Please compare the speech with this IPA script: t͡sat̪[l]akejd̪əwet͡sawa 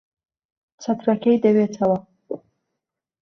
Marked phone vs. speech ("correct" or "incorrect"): incorrect